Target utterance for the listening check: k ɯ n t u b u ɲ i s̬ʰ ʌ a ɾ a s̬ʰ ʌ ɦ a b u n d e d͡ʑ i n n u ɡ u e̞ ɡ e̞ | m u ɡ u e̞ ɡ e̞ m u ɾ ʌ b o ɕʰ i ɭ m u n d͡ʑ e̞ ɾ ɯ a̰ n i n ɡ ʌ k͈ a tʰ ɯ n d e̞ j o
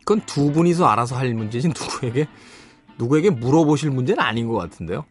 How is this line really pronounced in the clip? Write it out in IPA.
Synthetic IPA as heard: k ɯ n t u b u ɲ i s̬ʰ ʌ a ɾ a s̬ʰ ʌ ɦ a m u n d͡ʑ e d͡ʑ i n n u ɡ u e̞ ɡ e̞ | n u ɡ u e̞ ɡ e̞ m u ɾ ʌ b o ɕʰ i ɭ m u n d͡ʑ e̞ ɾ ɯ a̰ ɲ i n ɡ ʌ k͈ a tʰ ɯ n d e̞ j o